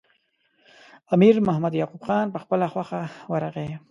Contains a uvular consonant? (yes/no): yes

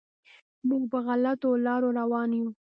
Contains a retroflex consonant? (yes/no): no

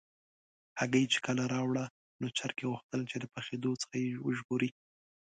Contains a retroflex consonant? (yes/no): yes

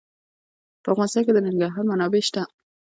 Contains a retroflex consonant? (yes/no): no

